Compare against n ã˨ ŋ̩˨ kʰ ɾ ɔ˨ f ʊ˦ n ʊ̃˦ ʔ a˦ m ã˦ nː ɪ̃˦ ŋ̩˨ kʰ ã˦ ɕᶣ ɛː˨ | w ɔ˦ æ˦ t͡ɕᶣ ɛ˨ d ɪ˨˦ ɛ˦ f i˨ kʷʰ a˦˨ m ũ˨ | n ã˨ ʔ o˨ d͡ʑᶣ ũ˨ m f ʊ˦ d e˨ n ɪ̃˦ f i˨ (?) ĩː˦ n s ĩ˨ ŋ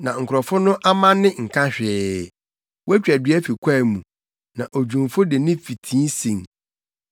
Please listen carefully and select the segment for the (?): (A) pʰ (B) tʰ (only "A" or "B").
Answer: B